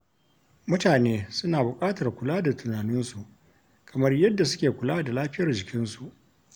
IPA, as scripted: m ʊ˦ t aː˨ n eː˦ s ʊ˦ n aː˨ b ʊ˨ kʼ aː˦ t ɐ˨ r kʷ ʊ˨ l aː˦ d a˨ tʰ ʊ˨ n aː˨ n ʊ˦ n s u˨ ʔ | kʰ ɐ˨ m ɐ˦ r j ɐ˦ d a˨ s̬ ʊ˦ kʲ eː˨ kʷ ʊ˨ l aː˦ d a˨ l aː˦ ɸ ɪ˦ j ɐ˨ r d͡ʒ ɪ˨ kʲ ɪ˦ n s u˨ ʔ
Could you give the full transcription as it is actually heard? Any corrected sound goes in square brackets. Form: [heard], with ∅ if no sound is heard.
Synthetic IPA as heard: m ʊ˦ t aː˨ n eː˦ s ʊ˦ n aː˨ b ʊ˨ kʼ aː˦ t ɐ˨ r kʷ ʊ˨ l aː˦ d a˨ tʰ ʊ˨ n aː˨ n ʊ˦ n s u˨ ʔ | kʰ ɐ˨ m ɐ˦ r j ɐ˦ [dː] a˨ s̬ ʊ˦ kʲ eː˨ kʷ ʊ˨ l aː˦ d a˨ l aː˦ ɸ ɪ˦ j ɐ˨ r d͡ʒ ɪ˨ kʲ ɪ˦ n s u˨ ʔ